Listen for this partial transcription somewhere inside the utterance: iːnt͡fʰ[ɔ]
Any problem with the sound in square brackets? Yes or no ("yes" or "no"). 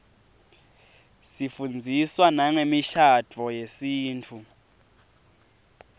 yes